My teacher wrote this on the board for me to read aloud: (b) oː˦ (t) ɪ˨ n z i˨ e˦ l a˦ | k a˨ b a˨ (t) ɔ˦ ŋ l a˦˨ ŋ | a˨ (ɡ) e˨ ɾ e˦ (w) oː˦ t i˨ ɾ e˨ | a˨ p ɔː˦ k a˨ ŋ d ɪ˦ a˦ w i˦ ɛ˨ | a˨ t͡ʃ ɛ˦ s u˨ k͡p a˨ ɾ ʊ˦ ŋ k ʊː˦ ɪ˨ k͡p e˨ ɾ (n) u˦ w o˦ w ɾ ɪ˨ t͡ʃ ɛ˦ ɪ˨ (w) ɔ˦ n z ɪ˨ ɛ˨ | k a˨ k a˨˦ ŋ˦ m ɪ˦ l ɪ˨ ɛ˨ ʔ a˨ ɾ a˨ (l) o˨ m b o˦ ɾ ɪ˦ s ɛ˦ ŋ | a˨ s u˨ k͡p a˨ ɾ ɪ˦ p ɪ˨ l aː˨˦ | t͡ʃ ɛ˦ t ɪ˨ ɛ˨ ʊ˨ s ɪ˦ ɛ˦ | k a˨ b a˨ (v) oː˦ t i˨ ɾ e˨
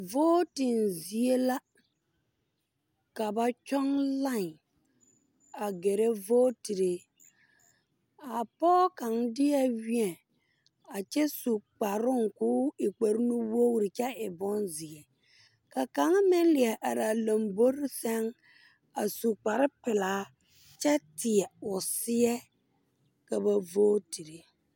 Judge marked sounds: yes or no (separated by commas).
no, yes, no, yes, no, yes, no, yes, yes